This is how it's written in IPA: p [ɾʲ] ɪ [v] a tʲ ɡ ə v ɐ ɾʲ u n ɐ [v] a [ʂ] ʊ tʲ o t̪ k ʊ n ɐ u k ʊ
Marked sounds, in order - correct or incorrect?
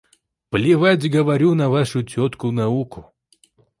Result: incorrect, correct, correct, correct

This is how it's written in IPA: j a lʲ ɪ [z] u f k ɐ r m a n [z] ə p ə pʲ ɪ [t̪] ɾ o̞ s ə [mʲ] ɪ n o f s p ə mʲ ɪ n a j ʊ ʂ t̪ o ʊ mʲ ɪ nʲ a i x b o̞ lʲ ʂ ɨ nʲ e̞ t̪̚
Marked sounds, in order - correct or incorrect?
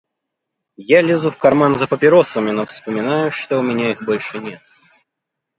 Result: correct, correct, incorrect, correct

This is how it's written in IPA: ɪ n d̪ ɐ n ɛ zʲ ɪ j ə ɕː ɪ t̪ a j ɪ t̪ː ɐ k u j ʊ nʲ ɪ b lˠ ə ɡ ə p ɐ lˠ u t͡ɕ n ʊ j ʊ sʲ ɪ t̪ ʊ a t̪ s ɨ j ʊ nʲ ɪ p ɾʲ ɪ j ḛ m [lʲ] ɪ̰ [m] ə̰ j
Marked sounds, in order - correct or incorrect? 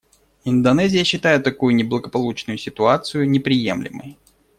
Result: correct, correct

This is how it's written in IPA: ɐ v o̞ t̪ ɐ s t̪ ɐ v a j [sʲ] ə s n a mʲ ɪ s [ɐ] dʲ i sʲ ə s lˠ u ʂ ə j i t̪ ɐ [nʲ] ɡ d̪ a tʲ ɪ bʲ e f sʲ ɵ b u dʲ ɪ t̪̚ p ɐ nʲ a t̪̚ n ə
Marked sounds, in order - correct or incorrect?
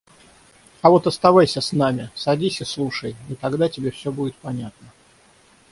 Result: correct, correct, incorrect

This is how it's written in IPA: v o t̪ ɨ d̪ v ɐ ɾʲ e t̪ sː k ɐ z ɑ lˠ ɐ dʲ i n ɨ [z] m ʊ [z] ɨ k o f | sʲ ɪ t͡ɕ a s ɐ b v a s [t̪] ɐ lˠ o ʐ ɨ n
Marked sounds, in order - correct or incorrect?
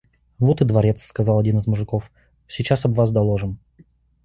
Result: correct, incorrect, incorrect

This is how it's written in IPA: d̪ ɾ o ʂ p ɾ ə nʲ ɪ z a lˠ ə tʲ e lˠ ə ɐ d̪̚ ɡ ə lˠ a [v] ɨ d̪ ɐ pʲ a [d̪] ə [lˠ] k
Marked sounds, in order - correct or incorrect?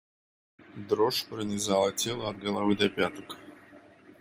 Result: correct, incorrect, incorrect

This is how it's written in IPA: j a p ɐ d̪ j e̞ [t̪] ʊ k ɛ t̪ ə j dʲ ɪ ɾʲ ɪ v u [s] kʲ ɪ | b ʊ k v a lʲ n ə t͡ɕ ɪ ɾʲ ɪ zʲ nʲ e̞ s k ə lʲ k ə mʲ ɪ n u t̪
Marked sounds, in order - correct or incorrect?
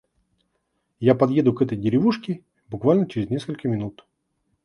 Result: incorrect, incorrect

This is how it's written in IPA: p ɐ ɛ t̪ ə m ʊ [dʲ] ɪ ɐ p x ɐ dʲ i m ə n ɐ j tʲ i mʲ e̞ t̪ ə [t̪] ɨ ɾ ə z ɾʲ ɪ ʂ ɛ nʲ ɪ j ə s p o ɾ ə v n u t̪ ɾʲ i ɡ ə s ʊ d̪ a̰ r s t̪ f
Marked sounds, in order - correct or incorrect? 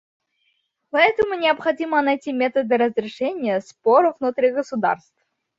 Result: incorrect, incorrect

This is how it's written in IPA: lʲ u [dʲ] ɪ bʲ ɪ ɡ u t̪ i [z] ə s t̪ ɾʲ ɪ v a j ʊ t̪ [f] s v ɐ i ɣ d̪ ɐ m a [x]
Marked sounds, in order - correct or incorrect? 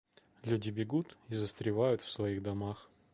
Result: correct, correct, correct, correct

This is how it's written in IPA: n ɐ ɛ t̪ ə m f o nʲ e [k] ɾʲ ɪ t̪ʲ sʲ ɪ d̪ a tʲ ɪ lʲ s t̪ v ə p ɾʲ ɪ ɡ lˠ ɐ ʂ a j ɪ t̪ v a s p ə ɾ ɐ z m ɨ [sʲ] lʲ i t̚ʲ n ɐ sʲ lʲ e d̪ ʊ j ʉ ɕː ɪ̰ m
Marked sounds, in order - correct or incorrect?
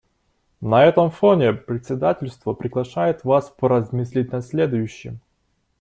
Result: incorrect, correct

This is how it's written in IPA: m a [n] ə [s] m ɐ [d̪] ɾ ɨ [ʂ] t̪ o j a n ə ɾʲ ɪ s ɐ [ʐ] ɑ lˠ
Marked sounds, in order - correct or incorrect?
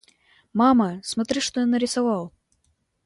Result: incorrect, correct, incorrect, correct, incorrect

